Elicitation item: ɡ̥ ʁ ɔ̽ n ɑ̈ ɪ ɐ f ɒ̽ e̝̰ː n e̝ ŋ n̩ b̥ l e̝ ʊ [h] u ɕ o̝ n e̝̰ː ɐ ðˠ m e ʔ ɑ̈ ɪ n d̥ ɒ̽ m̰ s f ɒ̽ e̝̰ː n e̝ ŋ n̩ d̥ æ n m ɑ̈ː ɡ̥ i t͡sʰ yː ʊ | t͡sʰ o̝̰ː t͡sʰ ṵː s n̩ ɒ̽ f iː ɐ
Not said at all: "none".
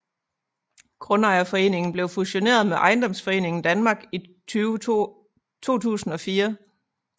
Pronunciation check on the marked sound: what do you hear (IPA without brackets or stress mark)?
f